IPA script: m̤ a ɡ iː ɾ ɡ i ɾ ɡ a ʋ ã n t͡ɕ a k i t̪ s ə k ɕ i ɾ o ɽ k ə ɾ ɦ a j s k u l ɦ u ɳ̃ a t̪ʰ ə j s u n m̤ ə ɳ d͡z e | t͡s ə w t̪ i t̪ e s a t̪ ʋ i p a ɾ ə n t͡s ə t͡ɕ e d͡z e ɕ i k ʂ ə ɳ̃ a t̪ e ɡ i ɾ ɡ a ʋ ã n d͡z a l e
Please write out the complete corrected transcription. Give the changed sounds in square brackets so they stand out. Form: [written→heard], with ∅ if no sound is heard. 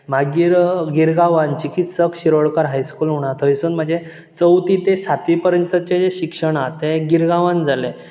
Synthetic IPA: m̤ a ɡ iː ɾ ɡ i ɾ ɡ a ʋ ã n t͡ɕ [a→i] k i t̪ s ə k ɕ i ɾ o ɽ k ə ɾ ɦ a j s k u l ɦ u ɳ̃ a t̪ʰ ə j s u n m̤ ə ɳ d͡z e | t͡s ə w t̪ i t̪ e s a t̪ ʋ i p [a→ə] ɾ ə n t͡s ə t͡ɕ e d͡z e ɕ i k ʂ ə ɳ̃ a t̪ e ɡ i ɾ ɡ a ʋ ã n d͡z a l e